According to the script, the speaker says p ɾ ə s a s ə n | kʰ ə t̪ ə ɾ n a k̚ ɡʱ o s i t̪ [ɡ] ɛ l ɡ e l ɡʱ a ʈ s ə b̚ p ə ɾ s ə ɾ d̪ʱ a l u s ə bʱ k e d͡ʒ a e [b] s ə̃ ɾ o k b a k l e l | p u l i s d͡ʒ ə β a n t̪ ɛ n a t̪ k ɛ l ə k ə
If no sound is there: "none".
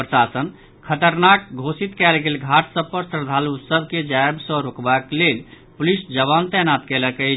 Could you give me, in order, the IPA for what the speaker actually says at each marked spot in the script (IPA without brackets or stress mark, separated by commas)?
k, b